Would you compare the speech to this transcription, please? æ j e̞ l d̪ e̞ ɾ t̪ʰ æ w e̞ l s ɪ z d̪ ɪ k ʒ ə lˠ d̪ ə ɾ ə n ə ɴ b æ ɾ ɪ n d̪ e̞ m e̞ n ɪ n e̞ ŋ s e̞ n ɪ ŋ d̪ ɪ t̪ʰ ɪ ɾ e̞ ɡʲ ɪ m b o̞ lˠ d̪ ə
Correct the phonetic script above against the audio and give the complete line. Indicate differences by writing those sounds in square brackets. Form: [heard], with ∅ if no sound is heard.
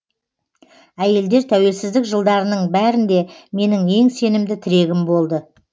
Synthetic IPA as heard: æ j e̞ l d̪ e̞ ɾ t̪ʰ æ w e̞ l s ɪ z d̪ ɪ k ʒ ə lˠ d̪ [ɑ] ɾ ə n ə ɴ b æ ɾ ɪ n d̪ e̞ m e̞ n ɪ [ŋ] e̞ ŋ s e̞ n ɪ [m] d̪ ɪ t̪ʰ ɪ ɾ e̞ ɡʲ ɪ m b o̞ lˠ d̪ ə